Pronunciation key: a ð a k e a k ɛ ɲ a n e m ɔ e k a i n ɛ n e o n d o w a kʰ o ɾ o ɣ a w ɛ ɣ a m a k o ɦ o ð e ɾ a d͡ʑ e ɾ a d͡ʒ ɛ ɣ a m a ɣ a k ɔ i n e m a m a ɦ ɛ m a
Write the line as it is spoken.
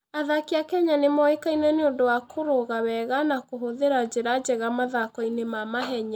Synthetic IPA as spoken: a ð a k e a k ɛ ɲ a n e m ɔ e k a i n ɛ n e o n d o w a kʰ o ɾ o ɣ a w ɛ ɣ a n a k o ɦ o ð e ɾ a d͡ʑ e ɾ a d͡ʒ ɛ ɣ a m a ð a k ɔ i n e m a m a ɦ ɛ ɲ a